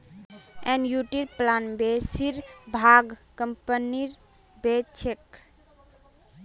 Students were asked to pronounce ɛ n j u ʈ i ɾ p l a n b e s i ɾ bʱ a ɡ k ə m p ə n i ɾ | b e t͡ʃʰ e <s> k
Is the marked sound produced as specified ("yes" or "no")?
no